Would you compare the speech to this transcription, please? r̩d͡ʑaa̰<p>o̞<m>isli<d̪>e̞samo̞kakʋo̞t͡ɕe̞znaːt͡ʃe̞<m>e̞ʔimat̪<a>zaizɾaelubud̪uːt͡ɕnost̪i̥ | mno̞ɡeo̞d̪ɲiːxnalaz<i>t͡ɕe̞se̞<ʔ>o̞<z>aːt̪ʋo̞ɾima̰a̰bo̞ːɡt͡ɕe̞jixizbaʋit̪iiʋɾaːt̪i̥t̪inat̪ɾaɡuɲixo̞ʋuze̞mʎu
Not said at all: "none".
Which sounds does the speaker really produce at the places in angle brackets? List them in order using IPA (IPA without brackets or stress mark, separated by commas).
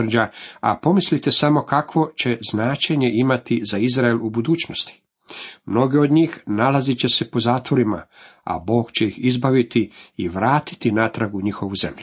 p, m, t̪, ɲ, i, i, p, z